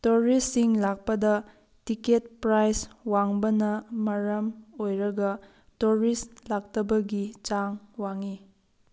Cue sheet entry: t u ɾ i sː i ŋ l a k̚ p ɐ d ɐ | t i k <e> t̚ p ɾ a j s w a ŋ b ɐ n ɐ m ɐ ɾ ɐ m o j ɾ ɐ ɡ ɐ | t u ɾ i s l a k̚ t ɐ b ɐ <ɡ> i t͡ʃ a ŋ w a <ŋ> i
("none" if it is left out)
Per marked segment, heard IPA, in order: e, ɡ, ŋ

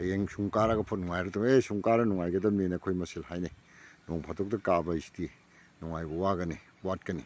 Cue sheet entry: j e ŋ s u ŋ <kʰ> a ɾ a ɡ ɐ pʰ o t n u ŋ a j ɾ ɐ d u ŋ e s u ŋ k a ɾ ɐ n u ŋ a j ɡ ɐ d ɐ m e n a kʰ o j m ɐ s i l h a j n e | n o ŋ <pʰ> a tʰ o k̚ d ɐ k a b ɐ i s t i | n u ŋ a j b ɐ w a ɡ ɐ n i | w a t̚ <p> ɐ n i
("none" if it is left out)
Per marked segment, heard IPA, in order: k, pʰ, k

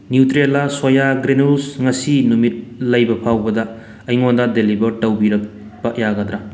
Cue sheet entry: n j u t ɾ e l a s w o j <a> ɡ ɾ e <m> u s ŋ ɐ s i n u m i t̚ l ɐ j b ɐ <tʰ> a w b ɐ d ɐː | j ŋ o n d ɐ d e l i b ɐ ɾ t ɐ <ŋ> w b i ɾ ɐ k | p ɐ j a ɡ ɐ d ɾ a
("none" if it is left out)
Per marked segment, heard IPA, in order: a, n, pʰ, none

